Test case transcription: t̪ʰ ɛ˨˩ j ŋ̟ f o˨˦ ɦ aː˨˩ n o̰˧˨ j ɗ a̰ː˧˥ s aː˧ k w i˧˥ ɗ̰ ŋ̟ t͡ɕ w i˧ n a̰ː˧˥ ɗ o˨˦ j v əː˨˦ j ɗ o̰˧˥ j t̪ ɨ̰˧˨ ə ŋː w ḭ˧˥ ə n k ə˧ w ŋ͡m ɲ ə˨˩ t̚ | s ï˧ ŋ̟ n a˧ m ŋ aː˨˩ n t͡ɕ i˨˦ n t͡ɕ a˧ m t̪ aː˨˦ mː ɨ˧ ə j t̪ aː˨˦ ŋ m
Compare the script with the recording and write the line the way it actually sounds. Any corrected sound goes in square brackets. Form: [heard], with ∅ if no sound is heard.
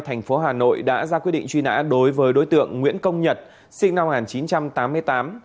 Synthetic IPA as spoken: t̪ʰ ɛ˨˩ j ŋ̟ f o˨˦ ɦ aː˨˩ n o̰˧˨ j ɗ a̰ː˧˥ [z] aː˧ k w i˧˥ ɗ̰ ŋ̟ t͡ɕ w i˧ n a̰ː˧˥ ɗ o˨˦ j v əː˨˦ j ɗ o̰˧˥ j t̪ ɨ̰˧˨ ə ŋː w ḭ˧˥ ə n k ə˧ w ŋ͡m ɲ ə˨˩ t̚ | s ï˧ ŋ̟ n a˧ m ŋ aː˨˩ n t͡ɕ i˨˦ n t͡ɕ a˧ m t̪ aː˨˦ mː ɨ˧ ə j t̪ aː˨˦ [∅] m

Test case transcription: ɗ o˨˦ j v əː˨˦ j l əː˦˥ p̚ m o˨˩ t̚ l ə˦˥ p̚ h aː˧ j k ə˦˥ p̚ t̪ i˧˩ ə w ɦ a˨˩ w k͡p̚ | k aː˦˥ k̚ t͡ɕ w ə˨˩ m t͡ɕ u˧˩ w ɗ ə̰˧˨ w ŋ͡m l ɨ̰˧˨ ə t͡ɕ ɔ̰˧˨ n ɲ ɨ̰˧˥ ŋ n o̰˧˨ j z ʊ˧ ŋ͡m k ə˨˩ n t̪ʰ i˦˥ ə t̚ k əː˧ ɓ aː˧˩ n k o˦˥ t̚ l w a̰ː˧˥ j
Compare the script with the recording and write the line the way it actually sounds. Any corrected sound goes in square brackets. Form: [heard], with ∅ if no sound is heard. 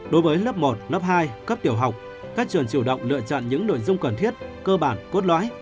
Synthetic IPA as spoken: ɗ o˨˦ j v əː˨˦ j l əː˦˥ p̚ m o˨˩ t̚ l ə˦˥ p̚ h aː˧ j k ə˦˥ p̚ t̪ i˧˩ ə w ɦ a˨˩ w k͡p̚ | k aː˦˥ k̚ t͡ɕ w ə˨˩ [n] t͡ɕ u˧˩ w ɗ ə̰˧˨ w ŋ͡m l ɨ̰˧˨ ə t͡ɕ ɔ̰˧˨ n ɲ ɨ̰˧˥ ŋ n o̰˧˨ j z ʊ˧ ŋ͡m k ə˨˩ n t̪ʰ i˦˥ ə t̚ k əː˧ ɓ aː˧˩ n k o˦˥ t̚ l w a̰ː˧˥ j

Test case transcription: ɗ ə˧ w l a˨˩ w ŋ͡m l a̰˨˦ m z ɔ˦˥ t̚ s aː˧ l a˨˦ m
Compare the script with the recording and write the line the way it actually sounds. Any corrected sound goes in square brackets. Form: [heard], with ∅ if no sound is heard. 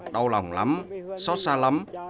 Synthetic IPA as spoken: ɗ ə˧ w l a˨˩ w ŋ͡m l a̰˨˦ m [s] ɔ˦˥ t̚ s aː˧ l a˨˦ m

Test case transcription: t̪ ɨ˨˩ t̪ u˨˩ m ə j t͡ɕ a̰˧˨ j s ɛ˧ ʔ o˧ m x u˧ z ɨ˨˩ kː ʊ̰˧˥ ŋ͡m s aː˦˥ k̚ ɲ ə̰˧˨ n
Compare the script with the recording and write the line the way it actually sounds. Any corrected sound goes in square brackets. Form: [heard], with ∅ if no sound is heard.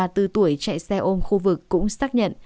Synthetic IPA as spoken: t̪ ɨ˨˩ t̪ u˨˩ [∅] ə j t͡ɕ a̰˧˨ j s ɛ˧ ʔ o˧ m x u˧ [v] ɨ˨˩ kː ʊ̰˧˥ ŋ͡m s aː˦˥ k̚ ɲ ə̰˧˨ n

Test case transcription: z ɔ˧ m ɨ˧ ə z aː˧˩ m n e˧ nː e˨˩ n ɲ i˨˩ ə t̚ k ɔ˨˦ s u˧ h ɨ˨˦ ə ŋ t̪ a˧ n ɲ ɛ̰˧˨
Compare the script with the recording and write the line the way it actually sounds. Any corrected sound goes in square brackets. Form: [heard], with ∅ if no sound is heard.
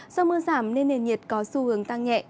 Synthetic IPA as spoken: z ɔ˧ m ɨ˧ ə z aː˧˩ m n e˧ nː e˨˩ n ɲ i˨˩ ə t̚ k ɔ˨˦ s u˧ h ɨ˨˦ ə ŋ t̪ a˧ [ŋ] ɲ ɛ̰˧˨

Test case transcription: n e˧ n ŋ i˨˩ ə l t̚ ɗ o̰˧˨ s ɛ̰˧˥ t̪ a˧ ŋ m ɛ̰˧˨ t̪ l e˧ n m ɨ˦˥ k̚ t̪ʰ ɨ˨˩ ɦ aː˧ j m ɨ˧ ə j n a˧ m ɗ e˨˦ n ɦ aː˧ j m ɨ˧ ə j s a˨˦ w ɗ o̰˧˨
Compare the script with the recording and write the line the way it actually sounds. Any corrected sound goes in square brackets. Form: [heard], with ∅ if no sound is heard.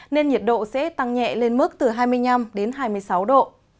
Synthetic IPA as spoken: n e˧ n [ɲ] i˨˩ ə [∅] t̚ ɗ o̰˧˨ s ɛ̰˧˥ t̪ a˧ ŋ [ɲ] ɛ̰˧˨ [∅] l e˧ n m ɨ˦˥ k̚ [t̪] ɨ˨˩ ɦ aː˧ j m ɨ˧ ə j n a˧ m ɗ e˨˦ n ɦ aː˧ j m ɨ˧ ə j s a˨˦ w ɗ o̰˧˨

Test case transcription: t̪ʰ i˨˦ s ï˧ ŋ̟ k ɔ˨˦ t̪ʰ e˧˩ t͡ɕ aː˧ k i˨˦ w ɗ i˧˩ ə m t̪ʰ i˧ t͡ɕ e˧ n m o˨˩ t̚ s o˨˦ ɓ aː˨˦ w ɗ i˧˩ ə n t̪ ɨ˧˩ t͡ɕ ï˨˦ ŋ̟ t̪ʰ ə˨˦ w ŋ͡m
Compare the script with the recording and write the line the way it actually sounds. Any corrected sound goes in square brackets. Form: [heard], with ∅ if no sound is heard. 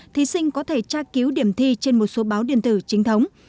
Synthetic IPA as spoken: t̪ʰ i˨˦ s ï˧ ŋ̟ k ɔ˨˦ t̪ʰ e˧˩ t͡ɕ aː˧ k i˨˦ w ɗ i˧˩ ə m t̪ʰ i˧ t͡ɕ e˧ n m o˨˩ t̚ s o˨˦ ɓ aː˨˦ w ɗ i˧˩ ə n t̪ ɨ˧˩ t͡ɕ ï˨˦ ŋ̟ t̪ʰ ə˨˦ w ŋ͡m

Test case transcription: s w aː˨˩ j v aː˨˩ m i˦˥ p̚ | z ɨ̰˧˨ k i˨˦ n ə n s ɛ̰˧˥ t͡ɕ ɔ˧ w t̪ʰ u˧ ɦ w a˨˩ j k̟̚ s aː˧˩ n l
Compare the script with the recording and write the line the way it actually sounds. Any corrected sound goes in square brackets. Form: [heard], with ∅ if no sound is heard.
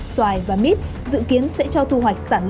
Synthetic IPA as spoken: s w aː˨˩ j v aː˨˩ m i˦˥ [t̚] | z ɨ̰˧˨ k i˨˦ [∅] ə n s ɛ̰˧˥ t͡ɕ ɔ˧ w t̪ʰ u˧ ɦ w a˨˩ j k̟̚ s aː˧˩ n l

